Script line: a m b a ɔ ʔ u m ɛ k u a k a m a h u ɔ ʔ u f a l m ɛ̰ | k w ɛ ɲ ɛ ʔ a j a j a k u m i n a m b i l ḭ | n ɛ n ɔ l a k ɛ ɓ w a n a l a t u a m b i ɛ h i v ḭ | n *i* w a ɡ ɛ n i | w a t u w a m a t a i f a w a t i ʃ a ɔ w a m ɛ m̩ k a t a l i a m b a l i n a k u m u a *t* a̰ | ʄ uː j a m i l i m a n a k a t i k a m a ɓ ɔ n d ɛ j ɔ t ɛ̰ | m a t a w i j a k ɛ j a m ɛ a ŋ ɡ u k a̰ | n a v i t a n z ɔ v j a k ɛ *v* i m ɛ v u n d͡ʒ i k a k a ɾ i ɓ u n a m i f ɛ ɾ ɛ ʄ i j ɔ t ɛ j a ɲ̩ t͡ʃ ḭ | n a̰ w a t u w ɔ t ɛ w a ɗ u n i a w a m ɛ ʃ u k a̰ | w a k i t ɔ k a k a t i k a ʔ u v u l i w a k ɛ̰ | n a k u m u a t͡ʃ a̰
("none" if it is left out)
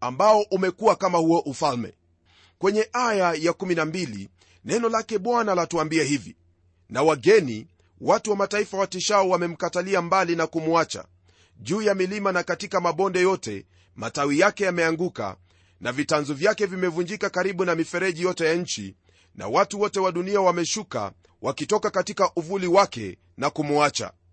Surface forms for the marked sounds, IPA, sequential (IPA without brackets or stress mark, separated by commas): a, t͡ʃ, v